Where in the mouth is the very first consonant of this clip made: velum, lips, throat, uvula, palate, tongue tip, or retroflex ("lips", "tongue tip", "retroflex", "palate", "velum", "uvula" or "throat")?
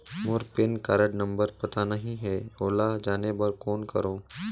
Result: lips